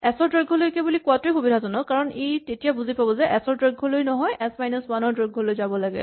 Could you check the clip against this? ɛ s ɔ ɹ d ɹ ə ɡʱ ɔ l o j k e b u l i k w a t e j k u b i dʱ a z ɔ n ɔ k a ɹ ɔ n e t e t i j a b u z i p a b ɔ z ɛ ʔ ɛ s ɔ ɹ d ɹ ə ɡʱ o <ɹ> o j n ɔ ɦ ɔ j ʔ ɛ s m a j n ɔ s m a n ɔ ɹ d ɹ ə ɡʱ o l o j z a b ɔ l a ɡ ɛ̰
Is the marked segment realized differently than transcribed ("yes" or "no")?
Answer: yes